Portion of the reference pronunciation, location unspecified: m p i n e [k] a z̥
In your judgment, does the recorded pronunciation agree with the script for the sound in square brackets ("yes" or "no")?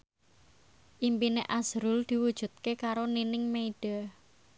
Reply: no